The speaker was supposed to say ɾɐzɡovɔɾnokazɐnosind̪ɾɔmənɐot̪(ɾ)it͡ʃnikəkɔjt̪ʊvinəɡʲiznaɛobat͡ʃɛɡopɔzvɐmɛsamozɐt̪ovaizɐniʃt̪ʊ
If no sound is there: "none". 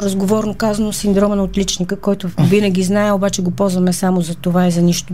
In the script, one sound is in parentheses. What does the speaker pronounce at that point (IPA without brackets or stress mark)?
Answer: l